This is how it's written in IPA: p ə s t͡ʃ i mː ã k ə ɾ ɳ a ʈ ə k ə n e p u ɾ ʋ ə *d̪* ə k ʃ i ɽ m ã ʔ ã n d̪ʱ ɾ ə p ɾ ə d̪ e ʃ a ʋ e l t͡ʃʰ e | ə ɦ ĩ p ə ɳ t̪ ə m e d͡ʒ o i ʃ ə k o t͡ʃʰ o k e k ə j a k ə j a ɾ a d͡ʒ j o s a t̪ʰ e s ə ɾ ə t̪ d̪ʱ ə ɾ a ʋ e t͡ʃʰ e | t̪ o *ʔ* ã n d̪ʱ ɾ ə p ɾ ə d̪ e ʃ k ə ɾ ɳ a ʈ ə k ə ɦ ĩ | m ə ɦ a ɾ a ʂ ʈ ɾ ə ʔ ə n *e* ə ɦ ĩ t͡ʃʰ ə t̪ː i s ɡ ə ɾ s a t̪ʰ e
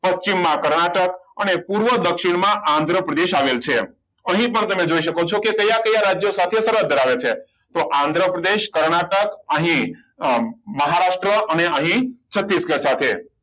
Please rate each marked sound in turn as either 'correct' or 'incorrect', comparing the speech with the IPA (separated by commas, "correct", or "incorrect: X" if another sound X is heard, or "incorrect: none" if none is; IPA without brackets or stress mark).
correct, correct, correct